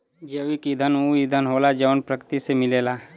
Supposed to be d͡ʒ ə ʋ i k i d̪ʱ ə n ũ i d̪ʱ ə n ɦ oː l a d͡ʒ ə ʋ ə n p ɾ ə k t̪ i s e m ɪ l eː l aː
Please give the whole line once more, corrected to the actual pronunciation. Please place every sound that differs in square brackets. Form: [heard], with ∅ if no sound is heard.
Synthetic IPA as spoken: d͡ʒ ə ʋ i k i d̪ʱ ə n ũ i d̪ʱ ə n ɦ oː l a d͡ʒ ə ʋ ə n p ɾ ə k t̪ i s e m ɪ l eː l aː